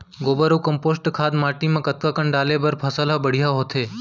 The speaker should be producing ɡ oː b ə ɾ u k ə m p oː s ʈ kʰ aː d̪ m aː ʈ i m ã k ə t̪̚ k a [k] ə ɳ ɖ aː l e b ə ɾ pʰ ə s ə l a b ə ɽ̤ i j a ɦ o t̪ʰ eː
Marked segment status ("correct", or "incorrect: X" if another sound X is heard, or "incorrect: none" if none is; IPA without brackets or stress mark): correct